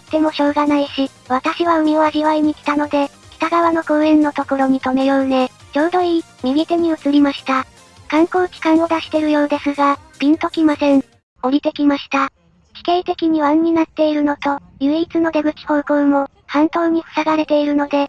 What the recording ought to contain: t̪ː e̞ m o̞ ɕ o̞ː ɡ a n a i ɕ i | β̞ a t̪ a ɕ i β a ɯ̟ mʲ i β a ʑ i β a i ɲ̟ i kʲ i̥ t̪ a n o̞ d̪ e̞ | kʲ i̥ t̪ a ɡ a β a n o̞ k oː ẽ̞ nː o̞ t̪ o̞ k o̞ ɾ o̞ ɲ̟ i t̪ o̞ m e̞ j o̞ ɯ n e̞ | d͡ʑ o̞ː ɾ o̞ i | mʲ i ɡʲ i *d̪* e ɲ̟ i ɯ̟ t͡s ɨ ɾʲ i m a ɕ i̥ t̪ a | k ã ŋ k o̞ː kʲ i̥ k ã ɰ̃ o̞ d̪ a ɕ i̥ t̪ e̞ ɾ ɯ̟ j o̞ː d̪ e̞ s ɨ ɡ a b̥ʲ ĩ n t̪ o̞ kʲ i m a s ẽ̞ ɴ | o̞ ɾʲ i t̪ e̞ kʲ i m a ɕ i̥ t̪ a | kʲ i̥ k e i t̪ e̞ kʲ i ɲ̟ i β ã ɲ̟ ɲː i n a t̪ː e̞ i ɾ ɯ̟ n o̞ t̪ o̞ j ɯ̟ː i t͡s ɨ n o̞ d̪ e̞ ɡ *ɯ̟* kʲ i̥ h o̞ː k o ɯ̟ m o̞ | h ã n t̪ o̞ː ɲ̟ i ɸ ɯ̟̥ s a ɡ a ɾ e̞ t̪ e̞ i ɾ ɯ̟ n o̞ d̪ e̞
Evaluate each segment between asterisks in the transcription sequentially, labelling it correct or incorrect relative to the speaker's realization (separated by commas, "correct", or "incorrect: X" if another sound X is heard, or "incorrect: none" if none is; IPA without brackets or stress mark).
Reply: incorrect: t̪, correct